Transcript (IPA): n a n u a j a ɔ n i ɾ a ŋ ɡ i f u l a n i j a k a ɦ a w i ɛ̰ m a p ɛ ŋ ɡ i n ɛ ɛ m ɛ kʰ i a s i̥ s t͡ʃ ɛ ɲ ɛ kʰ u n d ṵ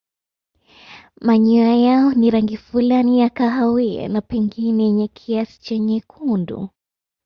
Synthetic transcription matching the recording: m a ɲ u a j a ɔ n i ɾ a ŋ ɡ i f u l a n i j a k a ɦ a w i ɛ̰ n a p ɛ ŋ ɡ i n ɛ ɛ ɲ ɛ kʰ i a s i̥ t͡ʃ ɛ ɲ ɛ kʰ u n d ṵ

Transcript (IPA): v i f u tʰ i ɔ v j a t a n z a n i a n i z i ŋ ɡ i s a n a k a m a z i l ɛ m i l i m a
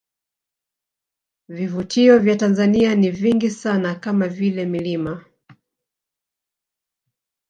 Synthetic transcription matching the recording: v i v u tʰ i ɔ v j a t a n z a n i a n i v i ŋ ɡ i s a n a k a m a v i l ɛ m i l i m a

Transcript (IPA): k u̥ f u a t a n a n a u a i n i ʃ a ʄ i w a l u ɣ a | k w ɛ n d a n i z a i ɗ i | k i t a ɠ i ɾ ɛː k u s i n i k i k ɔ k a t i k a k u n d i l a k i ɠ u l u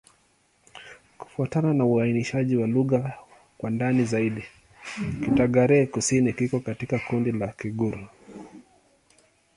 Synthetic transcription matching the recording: k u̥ f u a t a n a n a u a i n i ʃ a ʄ i w a l u ɣ a | k w a n d a n i z a i ɗ i | k i t a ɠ a ɾ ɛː k u s i n i k i k ɔ k a t i k a k u n d i l a k i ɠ u ɾ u

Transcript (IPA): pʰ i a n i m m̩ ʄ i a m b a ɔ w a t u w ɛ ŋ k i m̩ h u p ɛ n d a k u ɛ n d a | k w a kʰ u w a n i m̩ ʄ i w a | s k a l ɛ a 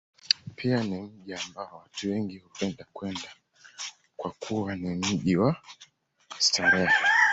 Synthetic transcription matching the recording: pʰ i a n i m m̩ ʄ i a m b a ɔ w a t u w ɛ ŋ ɡ i h u p ɛ n d a k w ɛ n d a | k w a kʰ u w a n i m̩ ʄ i w a | s t a ɾ ɛ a

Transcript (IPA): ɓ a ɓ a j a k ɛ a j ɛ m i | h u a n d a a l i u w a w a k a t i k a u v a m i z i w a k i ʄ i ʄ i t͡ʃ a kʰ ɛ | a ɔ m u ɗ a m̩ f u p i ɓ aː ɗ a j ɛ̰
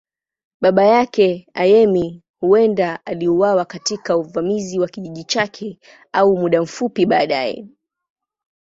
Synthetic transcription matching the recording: ɓ a ɓ a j a k ɛ a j ɛ m i | h u ɛ n d a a l i u w a w a k a t i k a u v a m i z i w a k i ʄ i ʄ i t͡ʃ a kʰ ɛ | a u m u ɗ a m̩ f u p i ɓ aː ɗ a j ɛ̰

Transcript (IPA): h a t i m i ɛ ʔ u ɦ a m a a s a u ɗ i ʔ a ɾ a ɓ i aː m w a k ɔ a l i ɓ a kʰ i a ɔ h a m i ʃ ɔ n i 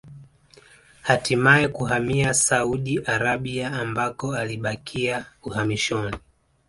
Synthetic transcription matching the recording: h a t i m a ɛ k u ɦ a m i a s a u ɗ i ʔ a ɾ a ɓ i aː m b a k ɔ a l i ɓ a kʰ i a u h a m i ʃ ɔ n i

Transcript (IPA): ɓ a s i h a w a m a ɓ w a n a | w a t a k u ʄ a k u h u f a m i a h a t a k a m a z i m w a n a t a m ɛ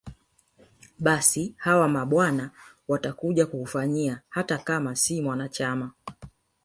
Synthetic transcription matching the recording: ɓ a s i h a w a m a ɓ w a n a | w a t a k u ʄ a k u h u f a ɲ i a h a t a k a m a s i m w a n a t͡ʃ a m a

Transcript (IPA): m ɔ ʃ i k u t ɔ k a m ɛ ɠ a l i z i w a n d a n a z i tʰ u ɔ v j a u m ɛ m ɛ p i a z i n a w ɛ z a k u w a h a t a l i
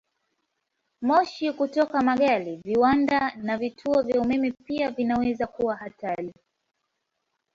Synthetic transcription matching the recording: m ɔ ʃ i k u t ɔ k a m a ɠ a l i v i w a n d a n a v i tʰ u ɔ v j a u m ɛ m ɛ p i a v i n a w ɛ z a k u w a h a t a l i

